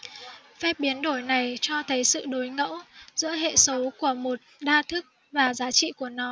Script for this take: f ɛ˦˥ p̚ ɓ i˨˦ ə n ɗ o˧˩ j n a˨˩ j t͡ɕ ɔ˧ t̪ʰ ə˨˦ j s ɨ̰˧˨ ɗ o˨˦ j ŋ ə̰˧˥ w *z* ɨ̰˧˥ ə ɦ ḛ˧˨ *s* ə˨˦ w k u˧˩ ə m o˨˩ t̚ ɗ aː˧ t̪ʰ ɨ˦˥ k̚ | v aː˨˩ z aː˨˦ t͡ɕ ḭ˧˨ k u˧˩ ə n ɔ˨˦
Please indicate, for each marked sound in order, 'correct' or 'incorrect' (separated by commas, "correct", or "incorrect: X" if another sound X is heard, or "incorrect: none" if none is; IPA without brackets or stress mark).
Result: correct, correct